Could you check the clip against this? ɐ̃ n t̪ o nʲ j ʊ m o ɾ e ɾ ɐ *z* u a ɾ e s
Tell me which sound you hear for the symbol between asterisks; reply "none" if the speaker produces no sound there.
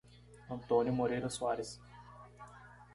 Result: s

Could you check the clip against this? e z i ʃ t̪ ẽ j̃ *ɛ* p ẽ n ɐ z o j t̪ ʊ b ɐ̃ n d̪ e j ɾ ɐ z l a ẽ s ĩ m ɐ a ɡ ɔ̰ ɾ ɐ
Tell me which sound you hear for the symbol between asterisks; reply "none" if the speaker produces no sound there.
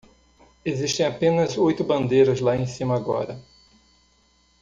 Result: a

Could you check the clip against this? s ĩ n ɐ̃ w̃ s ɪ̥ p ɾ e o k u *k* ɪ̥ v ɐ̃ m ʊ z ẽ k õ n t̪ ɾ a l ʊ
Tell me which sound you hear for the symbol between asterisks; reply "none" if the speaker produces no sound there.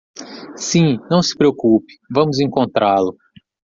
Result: p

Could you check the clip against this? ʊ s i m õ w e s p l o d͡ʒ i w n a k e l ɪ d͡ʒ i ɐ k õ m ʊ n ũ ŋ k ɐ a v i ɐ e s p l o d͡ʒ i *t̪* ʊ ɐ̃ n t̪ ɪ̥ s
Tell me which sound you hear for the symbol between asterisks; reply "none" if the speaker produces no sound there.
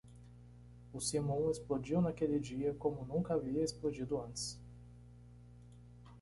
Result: d̪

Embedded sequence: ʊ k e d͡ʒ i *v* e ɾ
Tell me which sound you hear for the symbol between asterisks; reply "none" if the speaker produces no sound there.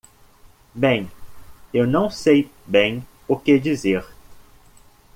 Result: z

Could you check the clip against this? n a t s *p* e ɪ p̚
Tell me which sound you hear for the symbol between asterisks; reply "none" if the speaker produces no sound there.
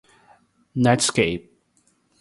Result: k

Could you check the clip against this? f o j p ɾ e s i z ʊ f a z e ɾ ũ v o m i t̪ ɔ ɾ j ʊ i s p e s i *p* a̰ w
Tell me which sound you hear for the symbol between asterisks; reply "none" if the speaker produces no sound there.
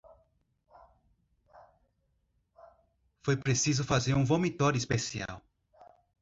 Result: none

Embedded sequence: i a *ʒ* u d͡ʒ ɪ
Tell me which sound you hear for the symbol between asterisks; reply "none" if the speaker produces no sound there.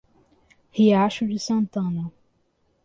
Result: ʃ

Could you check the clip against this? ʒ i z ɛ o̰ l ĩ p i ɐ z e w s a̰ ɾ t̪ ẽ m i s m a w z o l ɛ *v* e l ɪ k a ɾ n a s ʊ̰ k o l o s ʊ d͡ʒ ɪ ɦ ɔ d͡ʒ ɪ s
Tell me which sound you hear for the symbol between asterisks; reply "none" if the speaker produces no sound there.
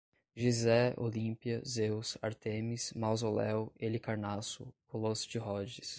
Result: w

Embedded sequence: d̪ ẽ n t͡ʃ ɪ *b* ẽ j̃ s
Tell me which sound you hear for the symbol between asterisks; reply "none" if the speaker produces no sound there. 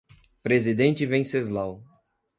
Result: v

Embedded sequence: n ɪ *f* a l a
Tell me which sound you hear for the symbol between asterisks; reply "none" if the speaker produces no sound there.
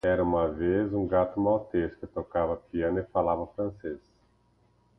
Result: f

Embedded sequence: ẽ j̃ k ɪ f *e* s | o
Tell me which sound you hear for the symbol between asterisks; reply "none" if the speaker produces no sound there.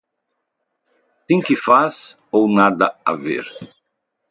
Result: a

